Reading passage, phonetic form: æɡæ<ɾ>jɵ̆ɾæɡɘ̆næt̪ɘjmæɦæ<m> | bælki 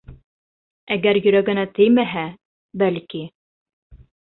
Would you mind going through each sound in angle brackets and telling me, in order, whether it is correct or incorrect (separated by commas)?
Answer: correct, incorrect